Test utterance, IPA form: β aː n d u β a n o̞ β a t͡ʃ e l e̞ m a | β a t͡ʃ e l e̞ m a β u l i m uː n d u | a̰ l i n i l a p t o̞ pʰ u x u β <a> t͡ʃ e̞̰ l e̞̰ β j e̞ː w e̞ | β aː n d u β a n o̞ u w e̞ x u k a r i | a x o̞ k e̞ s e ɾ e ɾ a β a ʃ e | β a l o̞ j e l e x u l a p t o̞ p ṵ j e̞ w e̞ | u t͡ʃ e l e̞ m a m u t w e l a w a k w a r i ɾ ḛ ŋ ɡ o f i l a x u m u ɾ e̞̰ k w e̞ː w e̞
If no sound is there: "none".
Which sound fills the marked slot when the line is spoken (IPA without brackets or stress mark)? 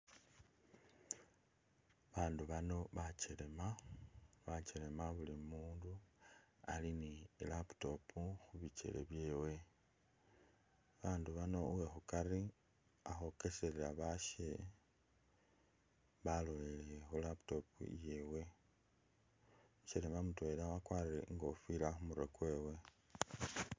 i